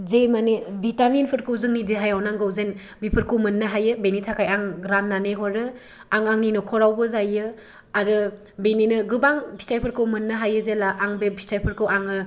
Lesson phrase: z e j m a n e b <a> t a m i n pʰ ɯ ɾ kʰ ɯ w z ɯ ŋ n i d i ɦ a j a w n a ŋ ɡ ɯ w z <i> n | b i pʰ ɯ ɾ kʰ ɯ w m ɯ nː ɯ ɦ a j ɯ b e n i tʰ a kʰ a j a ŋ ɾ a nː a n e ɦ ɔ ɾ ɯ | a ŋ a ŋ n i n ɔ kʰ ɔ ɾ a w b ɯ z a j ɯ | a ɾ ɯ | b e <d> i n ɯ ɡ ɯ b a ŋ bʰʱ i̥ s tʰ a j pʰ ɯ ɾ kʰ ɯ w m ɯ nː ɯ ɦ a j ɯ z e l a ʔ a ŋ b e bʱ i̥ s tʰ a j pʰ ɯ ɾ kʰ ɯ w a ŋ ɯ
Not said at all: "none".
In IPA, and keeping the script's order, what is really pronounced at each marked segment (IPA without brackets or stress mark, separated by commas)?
i, e, n